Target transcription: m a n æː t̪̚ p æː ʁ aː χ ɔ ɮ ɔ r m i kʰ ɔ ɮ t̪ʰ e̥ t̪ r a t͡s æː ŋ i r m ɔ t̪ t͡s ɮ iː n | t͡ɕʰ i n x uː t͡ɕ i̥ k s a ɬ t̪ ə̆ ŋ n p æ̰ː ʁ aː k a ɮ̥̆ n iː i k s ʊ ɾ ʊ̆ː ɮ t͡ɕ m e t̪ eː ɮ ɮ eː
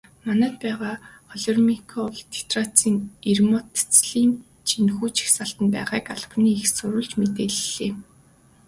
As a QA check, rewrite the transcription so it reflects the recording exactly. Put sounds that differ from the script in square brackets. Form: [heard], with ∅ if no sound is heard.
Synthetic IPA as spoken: m a n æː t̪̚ p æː ʁ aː χ ɔ ɮ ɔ r m i kʰ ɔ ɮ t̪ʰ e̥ t̪ r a t͡s [iː] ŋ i r m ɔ t̪ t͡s ɮ iː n | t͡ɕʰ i n x uː t͡ɕ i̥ [x] s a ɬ t̪ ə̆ [∅] n p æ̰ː ʁ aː k a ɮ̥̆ n iː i [x] s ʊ ɾ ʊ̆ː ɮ t͡ɕ m e t̪ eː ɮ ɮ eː